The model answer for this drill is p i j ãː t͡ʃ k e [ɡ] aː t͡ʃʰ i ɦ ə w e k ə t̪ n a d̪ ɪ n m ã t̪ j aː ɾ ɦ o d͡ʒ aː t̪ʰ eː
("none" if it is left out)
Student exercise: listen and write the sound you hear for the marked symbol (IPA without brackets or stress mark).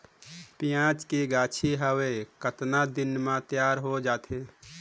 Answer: ɡ